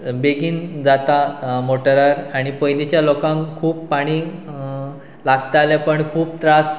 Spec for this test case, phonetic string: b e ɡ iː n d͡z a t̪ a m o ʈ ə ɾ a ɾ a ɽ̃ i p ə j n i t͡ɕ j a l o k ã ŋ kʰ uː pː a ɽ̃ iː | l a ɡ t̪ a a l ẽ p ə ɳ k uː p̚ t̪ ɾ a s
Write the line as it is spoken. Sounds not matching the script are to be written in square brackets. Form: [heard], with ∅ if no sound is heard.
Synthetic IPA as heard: b e ɡ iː n d͡z a t̪ a m o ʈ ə ɾ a ɾ a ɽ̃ i p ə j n i t͡ɕ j a l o k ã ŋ kʰ uː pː a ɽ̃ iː | l a ɡ t̪ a a l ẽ p ə ɳ [kʰ] uː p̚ t̪ ɾ a s